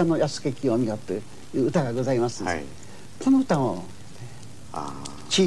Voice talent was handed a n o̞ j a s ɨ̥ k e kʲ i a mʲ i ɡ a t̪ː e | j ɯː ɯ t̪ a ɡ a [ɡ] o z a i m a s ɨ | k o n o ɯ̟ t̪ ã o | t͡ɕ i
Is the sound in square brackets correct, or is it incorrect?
correct